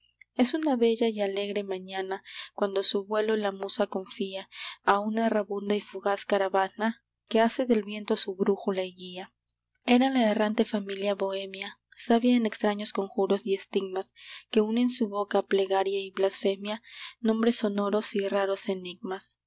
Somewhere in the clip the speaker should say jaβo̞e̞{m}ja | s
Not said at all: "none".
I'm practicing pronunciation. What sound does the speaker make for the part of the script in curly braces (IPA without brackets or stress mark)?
m